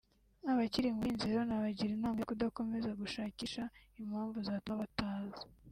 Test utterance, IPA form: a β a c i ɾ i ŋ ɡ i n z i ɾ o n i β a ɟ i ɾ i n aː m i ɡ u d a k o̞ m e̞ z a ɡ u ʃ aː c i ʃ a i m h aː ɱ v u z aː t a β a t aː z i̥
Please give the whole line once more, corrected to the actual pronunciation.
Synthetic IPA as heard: a β a c i ɾ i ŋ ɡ i n z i ɾ o n a β a ɟ i ɾ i n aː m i k u d a k o̞ m e̞ z a ɡ u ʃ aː c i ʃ a i m h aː ɱ v u z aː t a β a t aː z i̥